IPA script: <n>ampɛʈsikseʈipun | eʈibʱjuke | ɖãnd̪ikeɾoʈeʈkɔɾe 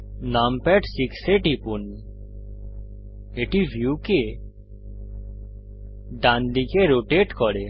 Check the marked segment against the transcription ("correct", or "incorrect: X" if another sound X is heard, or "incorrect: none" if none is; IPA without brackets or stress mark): correct